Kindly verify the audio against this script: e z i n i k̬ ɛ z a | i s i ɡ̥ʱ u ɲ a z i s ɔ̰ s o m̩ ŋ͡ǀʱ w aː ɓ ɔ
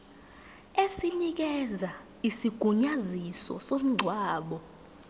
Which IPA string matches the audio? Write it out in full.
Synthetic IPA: e s i n i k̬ ɛ z a | i s i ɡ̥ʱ u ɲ a z i s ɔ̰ s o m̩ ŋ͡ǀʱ w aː ɓ ɔ

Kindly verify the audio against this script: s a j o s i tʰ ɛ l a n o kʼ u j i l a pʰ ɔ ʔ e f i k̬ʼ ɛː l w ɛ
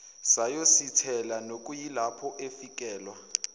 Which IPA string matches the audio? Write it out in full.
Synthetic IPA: s a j o s i tʰ ɛ l a n o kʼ u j i l a pʰ ɔ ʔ e f i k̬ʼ ɛː l w a

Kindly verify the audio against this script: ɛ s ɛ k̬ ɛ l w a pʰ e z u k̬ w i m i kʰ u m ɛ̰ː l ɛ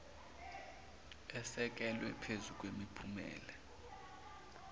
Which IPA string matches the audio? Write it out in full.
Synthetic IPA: ɛ s ɛ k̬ ɛ l w ɛ pʰ e z u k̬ w e m i pʰ u m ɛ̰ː l ɛ

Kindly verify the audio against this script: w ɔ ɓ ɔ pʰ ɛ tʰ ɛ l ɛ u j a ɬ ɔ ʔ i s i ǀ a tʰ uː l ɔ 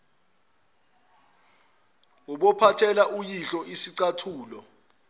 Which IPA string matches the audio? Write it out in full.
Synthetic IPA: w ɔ ɓ ɔ pʰ a tʰ ɛ l a u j i ɬ ɔ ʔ i s i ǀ a tʰ uː l ɔ

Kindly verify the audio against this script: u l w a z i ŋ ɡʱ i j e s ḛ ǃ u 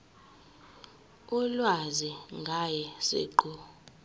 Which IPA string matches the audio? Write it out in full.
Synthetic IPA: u l w a z i ŋ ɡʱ a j ɛ s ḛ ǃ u

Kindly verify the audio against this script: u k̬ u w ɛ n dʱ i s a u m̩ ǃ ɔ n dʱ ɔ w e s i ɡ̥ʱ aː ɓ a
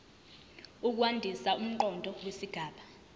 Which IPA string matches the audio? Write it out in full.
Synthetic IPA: u k̬ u w a n dʱ i s a u m̩ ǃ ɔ n dʱ ɔ w e s i ɡ̥ʱ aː ɓ a

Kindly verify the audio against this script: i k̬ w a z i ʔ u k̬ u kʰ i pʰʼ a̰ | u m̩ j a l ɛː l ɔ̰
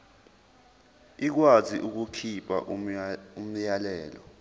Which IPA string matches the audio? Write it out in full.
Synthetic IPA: i k̬ w a z i ʔ u k̬ u kʰ i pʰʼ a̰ | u m̩ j a l ɛː l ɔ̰

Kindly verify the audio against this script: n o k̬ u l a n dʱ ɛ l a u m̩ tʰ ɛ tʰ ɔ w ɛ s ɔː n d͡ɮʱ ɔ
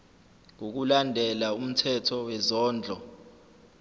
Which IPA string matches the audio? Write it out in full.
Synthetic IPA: ŋ o k̬ u l a n dʱ ɛ l a u m̩ tʰ ɛ tʰ ɔ w ɛ z ɔː n d͡ɮʱ ɔ

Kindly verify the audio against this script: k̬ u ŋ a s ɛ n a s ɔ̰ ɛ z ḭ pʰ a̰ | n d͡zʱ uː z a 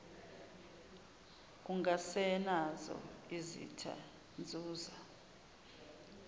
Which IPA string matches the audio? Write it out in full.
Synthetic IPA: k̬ u ŋ a s ɛ n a z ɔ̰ i z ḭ tʰ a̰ | n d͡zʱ uː z a

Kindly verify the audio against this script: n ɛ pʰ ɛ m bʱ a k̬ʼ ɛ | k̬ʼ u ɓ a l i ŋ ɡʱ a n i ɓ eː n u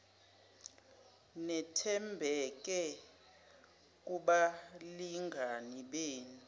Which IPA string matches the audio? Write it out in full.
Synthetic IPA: n ɛ tʰ ɛ m bʱ ɛ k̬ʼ ɛ | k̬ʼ u ɓ a l i ŋ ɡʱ a n i ɓ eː n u

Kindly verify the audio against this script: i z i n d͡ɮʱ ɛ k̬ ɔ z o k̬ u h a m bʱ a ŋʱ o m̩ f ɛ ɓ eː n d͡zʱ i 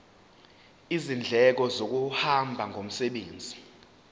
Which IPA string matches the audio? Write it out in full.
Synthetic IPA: i z i n d͡ɮʱ ɛ k̬ ɔ z o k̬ u h a m bʱ a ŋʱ o m̩ s ɛ ɓ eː n d͡zʱ i

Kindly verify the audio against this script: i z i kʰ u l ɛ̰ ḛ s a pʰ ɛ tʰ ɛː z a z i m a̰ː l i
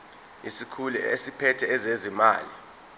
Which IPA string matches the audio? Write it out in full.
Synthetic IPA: i s i kʰ u l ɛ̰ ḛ s i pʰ ɛ tʰ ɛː z e z i m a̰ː l i

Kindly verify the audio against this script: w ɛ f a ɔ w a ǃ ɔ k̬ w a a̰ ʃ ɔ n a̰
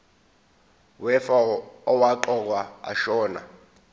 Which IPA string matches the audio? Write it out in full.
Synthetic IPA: w ɛ f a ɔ w a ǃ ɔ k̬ w a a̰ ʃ ɔː n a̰

